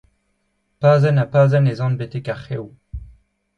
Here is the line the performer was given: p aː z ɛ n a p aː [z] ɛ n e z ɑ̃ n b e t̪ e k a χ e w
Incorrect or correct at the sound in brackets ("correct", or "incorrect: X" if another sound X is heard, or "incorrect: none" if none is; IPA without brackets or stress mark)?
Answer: correct